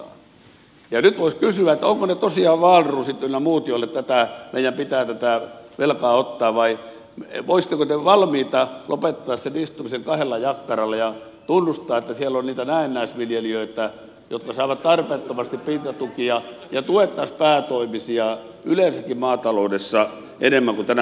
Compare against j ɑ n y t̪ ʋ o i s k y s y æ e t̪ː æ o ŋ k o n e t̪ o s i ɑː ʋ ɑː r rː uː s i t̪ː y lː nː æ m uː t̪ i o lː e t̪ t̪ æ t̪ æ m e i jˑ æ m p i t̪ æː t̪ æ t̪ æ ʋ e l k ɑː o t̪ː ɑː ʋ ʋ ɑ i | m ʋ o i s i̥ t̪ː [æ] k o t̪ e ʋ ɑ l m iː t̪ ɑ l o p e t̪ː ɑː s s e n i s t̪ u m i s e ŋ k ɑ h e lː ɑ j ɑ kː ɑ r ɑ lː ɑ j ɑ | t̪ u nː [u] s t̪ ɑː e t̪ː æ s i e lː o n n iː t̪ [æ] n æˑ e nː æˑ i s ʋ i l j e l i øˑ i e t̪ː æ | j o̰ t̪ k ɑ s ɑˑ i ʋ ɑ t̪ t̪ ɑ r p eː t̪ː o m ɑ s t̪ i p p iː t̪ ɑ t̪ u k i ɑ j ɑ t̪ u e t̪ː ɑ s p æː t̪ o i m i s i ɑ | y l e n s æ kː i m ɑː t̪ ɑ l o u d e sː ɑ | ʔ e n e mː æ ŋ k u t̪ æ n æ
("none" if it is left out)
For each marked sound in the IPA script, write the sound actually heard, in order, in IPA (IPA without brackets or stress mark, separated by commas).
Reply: e, u, æ